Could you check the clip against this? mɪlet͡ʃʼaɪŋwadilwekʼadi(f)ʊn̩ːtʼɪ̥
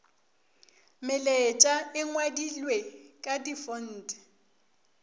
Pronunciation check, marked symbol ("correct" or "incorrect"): correct